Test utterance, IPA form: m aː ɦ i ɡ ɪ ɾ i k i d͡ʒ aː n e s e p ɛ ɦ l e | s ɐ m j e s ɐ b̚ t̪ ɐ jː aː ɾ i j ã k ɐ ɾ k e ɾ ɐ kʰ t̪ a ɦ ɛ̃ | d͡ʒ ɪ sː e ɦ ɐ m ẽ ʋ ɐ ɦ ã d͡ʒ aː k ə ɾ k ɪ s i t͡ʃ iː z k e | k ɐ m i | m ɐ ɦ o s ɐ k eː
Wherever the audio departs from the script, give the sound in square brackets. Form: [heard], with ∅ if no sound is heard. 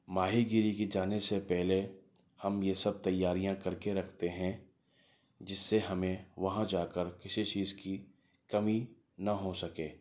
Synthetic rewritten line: m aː ɦ i ɡ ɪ ɾ i k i d͡ʒ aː n e s e p ɛ ɦ l e | [h] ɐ m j e s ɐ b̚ t̪ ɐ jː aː ɾ i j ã k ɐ ɾ k e ɾ ɐ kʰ t̪ [e] ɦ ɛ̃ | d͡ʒ ɪ sː e ɦ ɐ m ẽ ʋ ɐ ɦ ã d͡ʒ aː k ə ɾ k ɪ s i t͡ʃ iː z k [i] | k ɐ m i | [n] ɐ ɦ o s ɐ k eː